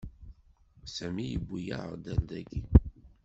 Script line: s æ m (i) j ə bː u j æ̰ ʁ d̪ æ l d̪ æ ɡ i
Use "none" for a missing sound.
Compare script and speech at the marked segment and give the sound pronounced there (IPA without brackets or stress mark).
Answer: i